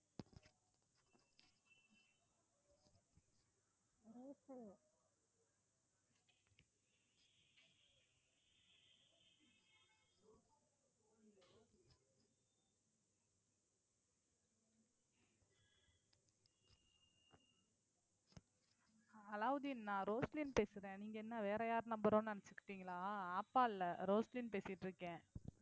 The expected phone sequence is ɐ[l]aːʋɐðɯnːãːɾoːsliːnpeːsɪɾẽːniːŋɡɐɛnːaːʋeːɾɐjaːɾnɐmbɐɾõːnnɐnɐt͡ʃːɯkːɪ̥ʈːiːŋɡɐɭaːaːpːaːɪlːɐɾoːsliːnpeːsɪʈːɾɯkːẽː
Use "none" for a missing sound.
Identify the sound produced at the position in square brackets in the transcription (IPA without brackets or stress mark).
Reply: l